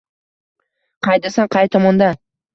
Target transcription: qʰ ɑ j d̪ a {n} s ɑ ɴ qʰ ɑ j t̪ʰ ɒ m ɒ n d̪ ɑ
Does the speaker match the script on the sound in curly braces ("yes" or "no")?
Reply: no